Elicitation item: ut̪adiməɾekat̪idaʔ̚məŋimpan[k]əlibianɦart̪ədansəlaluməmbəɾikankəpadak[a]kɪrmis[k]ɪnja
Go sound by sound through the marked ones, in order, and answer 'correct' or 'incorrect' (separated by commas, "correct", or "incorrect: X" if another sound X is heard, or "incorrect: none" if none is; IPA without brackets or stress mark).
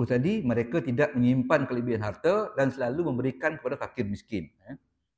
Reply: correct, correct, correct